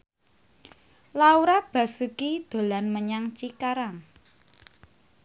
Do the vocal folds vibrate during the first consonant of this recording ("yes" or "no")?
yes